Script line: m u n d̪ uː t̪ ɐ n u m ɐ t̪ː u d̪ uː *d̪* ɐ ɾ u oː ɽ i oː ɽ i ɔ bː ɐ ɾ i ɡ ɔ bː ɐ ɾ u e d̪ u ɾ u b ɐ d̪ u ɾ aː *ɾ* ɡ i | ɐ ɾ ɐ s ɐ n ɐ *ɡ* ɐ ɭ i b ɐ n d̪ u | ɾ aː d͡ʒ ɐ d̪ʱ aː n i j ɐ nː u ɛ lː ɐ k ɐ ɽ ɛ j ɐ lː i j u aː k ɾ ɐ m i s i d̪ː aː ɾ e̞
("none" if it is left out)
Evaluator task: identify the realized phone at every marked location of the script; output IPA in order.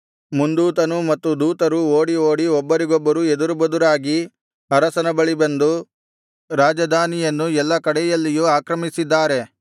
t̪, none, b

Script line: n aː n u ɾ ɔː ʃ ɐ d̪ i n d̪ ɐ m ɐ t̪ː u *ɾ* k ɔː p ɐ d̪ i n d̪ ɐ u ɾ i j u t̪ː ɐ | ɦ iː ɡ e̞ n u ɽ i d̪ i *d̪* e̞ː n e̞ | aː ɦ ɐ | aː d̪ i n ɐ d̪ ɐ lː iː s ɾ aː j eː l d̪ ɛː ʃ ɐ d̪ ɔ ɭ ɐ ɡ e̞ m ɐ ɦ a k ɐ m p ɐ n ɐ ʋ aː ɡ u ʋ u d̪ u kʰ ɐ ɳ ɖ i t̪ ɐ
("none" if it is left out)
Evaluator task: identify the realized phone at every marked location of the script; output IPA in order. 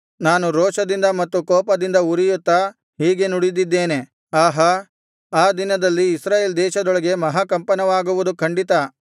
none, d̪ː

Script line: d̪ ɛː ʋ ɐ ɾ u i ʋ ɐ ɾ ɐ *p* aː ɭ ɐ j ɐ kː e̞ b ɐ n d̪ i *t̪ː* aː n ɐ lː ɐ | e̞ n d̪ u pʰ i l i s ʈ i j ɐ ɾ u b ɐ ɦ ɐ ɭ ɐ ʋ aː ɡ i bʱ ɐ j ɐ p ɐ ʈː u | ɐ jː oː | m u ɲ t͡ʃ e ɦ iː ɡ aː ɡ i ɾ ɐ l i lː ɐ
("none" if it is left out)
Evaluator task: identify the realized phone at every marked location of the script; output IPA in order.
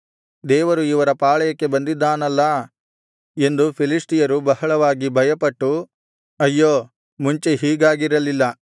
p, d̪ː

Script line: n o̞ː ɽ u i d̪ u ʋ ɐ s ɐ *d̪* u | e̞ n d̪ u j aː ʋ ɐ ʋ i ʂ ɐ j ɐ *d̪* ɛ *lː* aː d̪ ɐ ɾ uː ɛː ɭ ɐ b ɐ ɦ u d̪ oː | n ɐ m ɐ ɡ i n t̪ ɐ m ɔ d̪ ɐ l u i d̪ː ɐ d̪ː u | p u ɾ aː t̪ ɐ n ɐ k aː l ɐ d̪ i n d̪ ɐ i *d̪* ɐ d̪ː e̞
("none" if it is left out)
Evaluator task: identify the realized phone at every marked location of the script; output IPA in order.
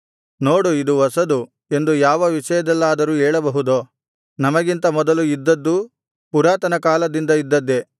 d̪, d̪, lː, d̪ː

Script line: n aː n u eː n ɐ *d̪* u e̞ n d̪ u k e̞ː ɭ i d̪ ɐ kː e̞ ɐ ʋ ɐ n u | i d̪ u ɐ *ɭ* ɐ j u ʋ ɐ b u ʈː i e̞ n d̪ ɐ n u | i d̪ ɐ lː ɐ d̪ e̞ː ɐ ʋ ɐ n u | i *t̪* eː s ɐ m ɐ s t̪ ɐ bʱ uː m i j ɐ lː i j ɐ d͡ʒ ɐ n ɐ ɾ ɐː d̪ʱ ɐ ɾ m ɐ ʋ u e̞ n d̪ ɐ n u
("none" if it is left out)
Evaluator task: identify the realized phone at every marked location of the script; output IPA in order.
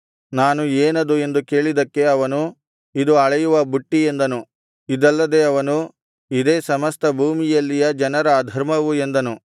d̪, ɭ, d̪

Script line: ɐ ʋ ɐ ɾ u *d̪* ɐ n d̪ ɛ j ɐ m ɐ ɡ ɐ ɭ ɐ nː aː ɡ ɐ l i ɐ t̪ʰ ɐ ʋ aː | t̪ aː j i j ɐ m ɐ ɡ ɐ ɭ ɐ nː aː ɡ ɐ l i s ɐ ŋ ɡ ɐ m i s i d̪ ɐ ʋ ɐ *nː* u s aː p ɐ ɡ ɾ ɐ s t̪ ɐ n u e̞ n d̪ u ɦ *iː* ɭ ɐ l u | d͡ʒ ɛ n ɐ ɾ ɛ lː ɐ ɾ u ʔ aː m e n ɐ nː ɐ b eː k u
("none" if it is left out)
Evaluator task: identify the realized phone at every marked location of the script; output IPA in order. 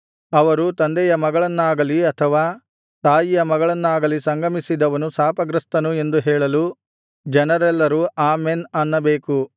t̪, n, ɛː

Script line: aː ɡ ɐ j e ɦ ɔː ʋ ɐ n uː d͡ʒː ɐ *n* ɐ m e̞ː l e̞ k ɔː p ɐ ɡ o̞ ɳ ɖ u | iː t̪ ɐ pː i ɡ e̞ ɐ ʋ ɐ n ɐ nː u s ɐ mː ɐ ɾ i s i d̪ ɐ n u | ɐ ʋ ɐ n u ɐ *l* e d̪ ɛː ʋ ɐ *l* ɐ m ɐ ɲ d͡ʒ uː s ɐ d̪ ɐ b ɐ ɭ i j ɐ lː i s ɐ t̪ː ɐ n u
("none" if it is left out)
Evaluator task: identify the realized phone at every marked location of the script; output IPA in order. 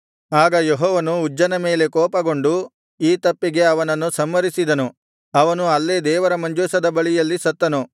n, lː, ɾ

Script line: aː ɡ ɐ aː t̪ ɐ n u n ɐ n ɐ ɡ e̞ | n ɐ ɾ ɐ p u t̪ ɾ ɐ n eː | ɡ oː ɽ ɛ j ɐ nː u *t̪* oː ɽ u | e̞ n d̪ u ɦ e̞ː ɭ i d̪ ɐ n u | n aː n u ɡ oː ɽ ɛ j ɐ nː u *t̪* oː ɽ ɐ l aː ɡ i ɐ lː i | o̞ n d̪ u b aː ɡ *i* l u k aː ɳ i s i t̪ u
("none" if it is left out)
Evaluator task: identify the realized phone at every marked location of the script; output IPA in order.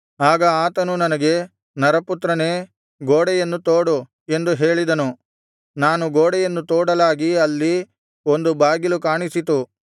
t̪, t̪, i

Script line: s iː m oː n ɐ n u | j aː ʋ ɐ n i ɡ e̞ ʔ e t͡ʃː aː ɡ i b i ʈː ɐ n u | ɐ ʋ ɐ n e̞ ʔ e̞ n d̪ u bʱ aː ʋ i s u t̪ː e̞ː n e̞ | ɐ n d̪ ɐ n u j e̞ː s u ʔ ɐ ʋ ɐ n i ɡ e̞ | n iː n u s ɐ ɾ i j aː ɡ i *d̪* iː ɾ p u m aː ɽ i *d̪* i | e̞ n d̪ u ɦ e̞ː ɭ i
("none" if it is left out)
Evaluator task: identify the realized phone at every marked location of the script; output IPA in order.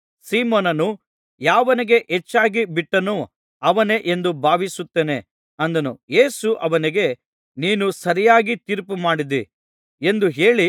t̪, d̪

